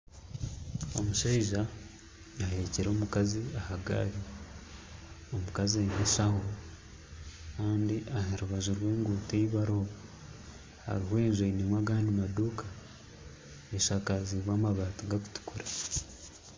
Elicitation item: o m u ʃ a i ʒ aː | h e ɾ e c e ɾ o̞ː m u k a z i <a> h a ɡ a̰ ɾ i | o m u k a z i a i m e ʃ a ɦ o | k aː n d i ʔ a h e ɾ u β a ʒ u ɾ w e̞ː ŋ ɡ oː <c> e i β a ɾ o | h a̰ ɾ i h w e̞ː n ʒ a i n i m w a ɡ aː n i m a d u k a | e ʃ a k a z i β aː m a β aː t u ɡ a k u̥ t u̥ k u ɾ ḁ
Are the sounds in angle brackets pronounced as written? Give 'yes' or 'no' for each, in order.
yes, no

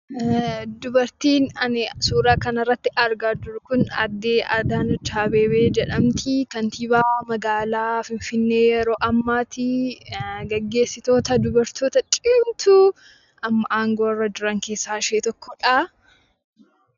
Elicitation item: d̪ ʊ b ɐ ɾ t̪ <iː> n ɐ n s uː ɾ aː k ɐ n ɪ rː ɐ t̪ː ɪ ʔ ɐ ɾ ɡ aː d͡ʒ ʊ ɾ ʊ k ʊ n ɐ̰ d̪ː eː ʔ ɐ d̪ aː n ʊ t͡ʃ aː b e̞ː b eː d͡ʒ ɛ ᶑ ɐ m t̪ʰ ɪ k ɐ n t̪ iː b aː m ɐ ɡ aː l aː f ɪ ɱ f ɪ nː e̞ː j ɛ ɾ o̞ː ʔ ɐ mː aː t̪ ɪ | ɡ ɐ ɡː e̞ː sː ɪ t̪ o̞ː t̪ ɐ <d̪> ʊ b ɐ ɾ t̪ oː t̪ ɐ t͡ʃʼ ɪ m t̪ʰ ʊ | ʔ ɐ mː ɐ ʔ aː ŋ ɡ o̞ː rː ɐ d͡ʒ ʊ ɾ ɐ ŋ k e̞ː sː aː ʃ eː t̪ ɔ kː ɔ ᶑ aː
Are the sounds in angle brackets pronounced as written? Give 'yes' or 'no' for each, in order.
yes, yes

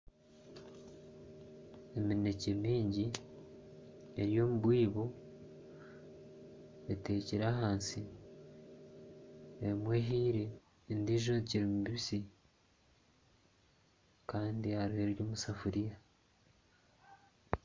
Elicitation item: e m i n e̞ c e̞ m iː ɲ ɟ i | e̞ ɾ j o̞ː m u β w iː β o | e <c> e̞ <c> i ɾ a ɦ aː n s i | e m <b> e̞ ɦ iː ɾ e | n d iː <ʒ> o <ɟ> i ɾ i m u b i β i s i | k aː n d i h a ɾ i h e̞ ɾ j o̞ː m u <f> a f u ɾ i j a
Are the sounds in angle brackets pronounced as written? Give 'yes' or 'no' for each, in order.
no, yes, no, yes, no, no

